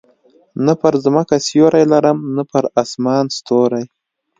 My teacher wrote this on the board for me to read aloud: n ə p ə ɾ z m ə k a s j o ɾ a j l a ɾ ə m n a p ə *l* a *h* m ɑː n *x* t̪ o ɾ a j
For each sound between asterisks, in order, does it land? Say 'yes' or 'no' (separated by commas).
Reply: no, no, no